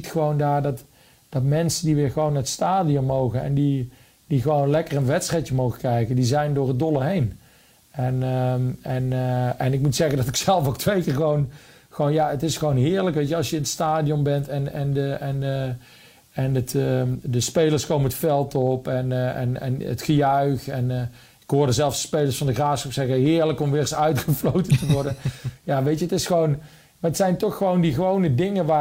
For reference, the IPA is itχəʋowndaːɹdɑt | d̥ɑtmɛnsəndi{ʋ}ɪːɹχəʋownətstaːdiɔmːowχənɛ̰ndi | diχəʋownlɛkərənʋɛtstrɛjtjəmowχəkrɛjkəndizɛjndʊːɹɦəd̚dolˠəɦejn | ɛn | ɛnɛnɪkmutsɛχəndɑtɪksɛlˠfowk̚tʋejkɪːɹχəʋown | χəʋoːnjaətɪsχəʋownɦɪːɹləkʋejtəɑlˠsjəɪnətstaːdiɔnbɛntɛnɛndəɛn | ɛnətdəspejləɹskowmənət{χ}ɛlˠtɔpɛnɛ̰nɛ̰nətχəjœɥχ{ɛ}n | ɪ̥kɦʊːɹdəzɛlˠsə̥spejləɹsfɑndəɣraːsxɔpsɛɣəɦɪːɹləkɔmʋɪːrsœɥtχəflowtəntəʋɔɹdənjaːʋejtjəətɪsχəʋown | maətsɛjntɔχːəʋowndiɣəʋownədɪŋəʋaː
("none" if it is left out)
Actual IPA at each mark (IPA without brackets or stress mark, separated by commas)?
ʋ, f, ɛ